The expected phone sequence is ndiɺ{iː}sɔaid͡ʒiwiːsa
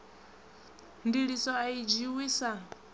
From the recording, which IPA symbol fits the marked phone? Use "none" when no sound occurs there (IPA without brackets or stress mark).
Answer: i